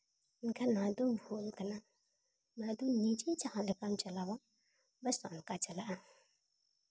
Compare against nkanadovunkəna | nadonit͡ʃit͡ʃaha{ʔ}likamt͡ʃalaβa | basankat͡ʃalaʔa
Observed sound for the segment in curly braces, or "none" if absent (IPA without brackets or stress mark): none